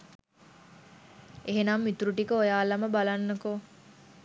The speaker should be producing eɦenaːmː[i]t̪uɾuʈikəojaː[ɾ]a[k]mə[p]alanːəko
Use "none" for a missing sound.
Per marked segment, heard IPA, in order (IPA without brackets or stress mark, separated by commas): i, l, none, b